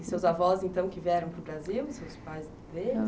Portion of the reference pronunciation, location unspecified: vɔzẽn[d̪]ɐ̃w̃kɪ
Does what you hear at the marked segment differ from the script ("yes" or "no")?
yes